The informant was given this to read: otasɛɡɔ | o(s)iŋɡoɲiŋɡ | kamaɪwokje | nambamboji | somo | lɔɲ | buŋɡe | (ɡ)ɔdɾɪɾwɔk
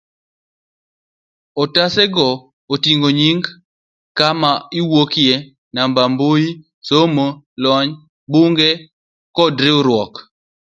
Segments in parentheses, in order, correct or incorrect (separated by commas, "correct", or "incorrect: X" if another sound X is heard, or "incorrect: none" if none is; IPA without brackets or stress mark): incorrect: t, incorrect: k